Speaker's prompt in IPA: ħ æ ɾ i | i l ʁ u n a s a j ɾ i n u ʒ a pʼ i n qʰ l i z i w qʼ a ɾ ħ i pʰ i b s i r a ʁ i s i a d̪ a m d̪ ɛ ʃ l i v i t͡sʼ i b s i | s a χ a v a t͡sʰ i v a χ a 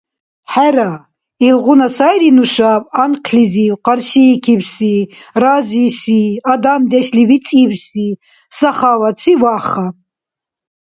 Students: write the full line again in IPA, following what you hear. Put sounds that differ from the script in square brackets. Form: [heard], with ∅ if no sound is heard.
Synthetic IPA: ħ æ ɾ [a] | i l ʁ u n a s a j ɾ i n u [ʃ] a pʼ [a] n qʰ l i z i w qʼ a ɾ [ʃ] i [kʰ] i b s i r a [z] i s i a d̪ a m d̪ ɛ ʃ l i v i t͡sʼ i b s i | s a χ a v a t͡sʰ i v a χ a

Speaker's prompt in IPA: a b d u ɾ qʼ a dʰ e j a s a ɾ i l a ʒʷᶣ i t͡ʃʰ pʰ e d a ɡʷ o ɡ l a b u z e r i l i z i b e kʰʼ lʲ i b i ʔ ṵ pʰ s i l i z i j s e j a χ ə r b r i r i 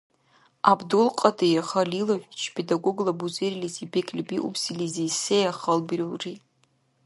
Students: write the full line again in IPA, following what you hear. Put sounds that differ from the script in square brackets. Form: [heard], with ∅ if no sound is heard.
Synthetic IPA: a b d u [l] qʼ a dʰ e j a [χ] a [l] i l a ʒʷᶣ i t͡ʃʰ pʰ e d a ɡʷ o ɡ l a b u z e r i l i z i b e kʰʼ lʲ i b i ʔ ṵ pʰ s i l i z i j s e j a χ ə [l] b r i r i

